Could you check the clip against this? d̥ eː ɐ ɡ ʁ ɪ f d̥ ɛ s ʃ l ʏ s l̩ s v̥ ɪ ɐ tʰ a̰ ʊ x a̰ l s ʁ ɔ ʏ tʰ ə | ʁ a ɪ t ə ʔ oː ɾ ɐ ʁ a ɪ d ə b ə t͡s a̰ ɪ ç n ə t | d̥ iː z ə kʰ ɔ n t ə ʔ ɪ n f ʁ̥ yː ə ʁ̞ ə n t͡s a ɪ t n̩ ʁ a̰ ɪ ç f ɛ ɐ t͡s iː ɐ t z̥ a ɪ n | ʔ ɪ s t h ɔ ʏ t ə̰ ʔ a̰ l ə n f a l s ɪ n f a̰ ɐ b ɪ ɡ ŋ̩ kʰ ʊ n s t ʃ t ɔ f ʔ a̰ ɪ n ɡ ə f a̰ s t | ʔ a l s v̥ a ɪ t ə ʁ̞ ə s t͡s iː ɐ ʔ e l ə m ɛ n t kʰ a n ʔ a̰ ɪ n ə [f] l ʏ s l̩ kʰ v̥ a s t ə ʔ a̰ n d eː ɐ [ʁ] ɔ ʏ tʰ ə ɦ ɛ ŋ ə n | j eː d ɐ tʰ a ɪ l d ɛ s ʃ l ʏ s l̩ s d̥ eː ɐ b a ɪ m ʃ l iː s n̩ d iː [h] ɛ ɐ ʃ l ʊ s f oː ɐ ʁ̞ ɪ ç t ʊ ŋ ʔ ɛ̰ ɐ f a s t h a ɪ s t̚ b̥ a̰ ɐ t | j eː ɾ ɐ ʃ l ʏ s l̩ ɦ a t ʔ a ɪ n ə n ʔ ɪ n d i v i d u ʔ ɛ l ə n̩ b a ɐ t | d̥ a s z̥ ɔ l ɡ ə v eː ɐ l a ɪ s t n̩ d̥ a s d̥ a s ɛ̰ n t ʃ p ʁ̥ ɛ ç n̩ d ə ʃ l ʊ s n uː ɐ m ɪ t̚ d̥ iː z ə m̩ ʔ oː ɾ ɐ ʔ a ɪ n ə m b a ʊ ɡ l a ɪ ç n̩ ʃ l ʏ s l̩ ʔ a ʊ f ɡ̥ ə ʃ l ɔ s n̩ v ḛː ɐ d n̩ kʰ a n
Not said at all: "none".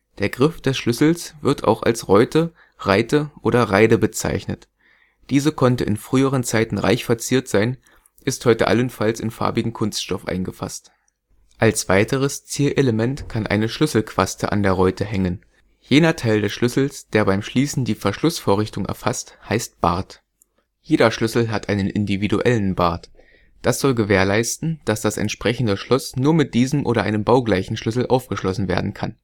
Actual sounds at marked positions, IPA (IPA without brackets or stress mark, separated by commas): ʃ, ʁ, f